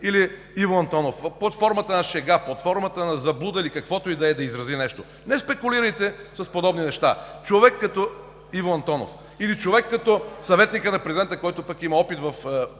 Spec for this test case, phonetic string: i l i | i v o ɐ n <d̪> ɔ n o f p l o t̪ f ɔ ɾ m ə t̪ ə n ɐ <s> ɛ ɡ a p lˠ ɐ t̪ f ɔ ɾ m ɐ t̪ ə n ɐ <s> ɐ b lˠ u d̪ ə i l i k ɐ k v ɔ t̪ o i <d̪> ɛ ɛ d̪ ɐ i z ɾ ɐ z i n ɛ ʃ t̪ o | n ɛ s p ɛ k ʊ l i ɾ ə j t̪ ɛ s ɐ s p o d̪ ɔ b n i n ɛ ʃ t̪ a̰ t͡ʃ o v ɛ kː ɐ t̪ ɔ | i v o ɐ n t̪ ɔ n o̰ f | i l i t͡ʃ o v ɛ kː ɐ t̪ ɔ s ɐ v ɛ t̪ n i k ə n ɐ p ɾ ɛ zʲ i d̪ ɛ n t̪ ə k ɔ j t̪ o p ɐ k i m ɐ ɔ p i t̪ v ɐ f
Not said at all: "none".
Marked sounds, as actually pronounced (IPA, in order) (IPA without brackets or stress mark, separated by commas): t̪, ʃ, z, d̪